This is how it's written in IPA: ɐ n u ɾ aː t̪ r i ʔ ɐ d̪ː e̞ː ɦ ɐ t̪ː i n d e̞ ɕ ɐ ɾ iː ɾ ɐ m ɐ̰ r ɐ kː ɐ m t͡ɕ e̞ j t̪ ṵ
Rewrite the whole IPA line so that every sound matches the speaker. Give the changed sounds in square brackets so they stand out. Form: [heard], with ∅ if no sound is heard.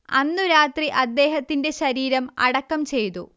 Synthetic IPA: ɐ [nː] u ɾ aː t̪ r i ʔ ɐ d̪ː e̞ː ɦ ɐ t̪ː i n d e̞ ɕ ɐ ɾ iː ɾ ɐ m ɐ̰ [ɽ] ɐ kː ɐ m t͡ɕ e̞ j t̪ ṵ